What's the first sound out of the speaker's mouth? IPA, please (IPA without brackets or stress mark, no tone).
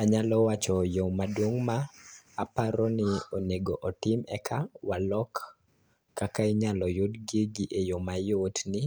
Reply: a